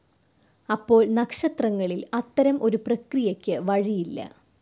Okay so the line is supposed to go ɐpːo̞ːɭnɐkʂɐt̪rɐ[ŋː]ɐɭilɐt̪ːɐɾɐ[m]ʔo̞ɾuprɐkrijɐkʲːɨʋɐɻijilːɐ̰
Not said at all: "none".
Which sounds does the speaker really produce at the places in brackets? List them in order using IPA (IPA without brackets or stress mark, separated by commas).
ŋː, m